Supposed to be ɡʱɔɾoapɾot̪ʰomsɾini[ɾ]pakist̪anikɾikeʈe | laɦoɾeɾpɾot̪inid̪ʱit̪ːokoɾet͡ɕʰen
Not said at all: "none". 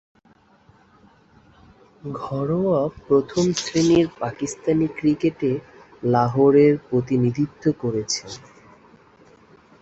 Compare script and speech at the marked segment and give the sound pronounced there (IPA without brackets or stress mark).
ɾ